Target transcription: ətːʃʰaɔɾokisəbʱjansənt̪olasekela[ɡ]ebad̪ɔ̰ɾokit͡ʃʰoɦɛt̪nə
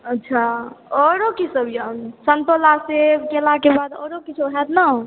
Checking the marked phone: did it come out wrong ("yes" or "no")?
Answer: yes